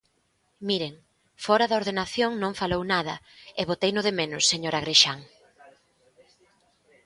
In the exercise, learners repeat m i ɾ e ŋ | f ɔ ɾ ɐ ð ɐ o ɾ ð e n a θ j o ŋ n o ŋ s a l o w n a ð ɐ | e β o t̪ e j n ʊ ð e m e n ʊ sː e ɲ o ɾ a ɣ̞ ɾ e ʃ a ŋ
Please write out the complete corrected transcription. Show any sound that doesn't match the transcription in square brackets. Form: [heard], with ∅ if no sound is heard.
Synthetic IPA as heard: m i ɾ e ŋ | f ɔ ɾ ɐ ð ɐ o ɾ ð e n a θ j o ŋ n [õ] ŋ [f] a l o w n a ð ɐ | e β o t̪ e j n ʊ ð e m e n ʊ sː e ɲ o ɾ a ɣ̞ ɾ e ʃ a ŋ